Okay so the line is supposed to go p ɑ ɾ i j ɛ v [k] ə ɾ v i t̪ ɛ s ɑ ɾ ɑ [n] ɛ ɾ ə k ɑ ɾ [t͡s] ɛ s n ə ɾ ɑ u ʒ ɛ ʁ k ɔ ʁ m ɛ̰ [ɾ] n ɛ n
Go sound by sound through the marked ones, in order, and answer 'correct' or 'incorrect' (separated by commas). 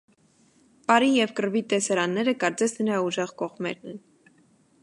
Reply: correct, incorrect, correct, correct